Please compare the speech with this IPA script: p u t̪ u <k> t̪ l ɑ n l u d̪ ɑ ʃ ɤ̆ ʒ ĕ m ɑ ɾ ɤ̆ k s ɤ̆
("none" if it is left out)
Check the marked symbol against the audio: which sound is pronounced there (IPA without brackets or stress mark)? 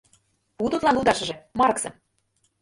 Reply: none